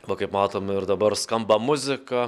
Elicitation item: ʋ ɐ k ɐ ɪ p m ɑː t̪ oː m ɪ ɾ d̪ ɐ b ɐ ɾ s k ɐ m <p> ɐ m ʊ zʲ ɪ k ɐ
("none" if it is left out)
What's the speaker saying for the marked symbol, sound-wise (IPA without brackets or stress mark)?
b